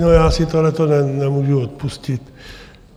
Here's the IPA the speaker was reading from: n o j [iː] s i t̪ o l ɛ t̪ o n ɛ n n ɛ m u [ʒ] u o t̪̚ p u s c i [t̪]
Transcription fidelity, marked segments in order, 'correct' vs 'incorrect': incorrect: aː, correct, correct

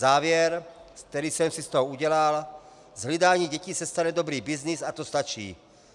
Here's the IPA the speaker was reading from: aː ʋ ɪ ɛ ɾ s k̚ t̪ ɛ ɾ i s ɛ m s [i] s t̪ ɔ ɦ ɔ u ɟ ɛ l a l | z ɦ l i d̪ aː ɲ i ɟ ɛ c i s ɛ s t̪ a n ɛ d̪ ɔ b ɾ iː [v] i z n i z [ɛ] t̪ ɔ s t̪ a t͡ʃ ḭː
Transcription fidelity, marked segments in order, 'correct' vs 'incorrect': correct, incorrect: b, incorrect: a

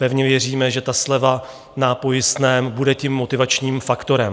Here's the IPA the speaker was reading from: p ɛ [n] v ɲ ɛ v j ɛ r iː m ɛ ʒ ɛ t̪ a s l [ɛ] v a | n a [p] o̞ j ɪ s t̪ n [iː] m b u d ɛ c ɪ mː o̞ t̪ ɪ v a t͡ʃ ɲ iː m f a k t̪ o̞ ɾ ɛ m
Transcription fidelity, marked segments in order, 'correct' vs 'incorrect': incorrect: none, correct, correct, incorrect: ɛː

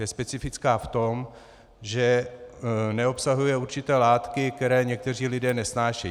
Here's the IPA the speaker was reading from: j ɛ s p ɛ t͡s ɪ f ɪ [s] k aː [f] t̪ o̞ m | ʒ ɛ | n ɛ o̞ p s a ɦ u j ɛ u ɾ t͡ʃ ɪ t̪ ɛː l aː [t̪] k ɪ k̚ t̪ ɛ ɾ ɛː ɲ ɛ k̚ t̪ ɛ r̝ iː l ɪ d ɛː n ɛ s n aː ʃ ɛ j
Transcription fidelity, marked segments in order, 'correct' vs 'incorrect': incorrect: t͡s, correct, correct

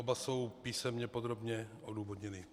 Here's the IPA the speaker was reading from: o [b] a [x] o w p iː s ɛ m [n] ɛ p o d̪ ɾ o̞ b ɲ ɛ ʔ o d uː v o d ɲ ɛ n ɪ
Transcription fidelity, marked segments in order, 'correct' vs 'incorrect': correct, incorrect: s, incorrect: ɲ

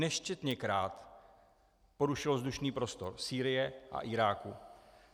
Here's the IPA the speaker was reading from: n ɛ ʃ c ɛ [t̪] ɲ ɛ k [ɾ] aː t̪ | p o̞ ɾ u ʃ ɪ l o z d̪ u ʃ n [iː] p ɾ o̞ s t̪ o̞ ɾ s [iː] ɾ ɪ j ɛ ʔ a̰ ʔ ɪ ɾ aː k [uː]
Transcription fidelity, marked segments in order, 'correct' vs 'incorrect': correct, correct, correct, correct, incorrect: u

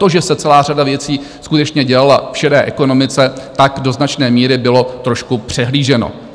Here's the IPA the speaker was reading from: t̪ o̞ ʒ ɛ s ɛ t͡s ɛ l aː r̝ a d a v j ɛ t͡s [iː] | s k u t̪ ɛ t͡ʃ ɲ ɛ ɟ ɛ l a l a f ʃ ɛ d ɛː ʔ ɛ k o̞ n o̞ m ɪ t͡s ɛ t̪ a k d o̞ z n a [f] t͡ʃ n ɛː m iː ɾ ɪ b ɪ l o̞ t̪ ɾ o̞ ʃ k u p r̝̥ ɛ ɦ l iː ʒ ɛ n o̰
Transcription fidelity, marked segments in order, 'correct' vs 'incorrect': correct, incorrect: none

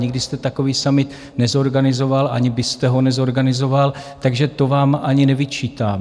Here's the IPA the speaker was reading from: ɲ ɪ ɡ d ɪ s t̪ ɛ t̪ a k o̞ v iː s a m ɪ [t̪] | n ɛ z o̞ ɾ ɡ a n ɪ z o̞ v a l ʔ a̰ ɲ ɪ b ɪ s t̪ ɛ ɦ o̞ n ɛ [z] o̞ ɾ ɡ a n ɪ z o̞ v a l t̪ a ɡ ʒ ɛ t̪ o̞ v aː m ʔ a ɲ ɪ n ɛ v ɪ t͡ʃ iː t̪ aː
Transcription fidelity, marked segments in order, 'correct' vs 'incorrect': correct, correct

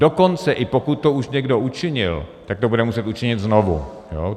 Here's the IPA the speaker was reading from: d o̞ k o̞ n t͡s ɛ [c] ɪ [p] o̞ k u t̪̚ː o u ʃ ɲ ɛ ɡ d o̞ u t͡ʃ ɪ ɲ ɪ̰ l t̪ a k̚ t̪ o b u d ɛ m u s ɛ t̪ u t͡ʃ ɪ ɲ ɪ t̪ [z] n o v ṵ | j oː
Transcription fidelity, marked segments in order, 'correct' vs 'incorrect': incorrect: ʔ, correct, correct

